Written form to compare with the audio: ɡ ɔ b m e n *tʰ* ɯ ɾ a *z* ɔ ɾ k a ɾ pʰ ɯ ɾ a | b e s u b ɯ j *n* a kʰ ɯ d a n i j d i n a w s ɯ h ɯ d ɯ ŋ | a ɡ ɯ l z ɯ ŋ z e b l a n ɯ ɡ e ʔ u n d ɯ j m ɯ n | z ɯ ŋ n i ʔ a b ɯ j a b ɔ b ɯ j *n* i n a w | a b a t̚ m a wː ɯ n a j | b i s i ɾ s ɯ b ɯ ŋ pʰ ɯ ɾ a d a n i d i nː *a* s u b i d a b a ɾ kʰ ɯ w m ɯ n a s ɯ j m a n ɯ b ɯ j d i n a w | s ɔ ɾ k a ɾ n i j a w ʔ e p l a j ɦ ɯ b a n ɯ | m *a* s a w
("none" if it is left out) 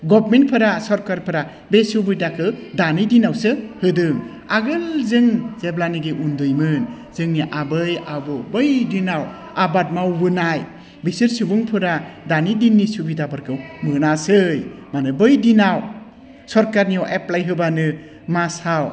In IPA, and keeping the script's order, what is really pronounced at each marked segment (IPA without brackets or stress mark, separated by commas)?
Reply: pʰ, s, d, d, i, a